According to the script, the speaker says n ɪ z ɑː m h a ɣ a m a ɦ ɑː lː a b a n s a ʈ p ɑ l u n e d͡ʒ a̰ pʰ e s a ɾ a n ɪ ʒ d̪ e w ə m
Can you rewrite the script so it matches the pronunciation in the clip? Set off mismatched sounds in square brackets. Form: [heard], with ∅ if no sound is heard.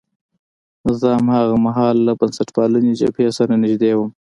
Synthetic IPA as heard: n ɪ z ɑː m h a ɣ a m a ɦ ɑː lː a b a n s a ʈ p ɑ l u n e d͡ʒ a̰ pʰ e s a ɾ a n ɪ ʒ d̪ e w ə m